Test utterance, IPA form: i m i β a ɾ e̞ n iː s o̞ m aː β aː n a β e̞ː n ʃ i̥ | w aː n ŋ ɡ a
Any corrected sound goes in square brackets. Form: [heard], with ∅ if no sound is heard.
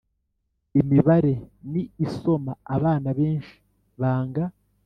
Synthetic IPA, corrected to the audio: i m i β a ɾ e̞ n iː s o̞ m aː β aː n a β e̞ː n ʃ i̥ | [β] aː [∅] ŋ ɡ a